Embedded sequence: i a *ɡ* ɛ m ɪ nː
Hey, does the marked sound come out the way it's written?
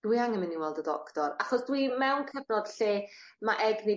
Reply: no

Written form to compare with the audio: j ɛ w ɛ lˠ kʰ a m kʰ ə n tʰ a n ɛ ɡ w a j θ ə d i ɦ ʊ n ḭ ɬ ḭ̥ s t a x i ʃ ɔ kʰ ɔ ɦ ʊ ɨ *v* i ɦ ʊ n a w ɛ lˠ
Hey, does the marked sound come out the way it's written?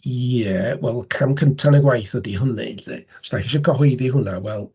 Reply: no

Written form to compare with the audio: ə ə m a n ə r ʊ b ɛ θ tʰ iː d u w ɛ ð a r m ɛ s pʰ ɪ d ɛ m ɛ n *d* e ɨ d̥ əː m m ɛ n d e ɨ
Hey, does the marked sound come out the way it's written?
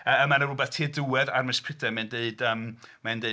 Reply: yes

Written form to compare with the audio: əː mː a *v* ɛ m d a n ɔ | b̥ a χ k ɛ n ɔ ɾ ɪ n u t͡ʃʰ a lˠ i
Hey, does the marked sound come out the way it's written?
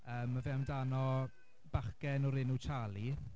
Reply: yes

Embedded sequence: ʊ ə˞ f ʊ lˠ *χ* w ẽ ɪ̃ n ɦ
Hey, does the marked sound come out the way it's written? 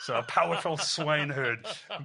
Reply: no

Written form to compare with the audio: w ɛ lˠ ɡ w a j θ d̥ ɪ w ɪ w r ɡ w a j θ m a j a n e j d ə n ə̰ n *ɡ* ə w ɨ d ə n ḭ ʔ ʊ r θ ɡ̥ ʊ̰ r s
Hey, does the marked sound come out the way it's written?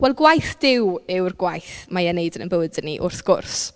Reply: no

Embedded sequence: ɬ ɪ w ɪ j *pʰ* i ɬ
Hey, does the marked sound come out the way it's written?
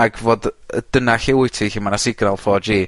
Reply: no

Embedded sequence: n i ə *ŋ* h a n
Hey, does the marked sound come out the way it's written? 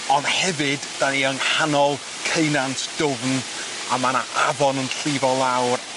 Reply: yes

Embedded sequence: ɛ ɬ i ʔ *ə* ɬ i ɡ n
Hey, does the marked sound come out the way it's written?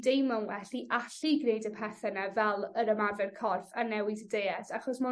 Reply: no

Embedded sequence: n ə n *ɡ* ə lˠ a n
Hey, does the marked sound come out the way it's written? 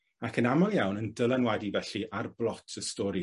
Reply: no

